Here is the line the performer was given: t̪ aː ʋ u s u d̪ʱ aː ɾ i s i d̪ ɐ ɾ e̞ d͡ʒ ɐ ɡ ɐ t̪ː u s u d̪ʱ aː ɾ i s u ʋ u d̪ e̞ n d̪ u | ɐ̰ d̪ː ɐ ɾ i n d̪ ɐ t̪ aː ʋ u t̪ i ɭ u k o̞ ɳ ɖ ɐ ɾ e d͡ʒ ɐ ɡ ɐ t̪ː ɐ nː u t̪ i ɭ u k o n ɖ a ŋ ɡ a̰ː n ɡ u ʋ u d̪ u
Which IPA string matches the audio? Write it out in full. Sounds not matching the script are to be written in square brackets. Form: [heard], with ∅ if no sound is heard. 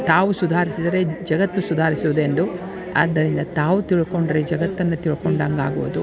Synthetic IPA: t̪ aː ʋ u s u d̪ʱ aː ɾ i s i d̪ ɐ ɾ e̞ d͡ʒ ɐ ɡ ɐ t̪ː u s u d̪ʱ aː ɾ i s u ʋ u d̪ e̞ n d̪ u | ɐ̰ d̪ː ɐ ɾ i n d̪ ɐ t̪ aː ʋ u t̪ i ɭ u k o̞ ɳ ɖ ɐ ɾ e d͡ʒ ɐ ɡ ɐ t̪ː ɐ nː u t̪ i ɭ u k o [ɳ] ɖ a ŋ ɡ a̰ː [∅] ɡ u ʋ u d̪ u